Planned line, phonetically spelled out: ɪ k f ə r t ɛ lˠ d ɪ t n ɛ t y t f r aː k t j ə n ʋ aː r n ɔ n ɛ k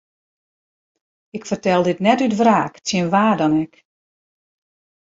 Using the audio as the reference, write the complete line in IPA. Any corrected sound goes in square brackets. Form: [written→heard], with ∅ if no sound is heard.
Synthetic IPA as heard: ɪ k f ə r t ɛ lˠ d ɪ t n ɛ t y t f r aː k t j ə n ʋ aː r [n→d] ɔ n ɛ k